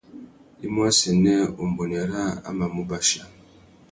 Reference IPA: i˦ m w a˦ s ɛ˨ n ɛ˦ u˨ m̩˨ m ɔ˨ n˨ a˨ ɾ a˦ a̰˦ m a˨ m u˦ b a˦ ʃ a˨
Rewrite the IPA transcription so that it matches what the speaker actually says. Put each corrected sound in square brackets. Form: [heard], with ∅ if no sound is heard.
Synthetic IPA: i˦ m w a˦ s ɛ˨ n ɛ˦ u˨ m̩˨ [b] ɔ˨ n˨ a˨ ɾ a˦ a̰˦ m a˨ m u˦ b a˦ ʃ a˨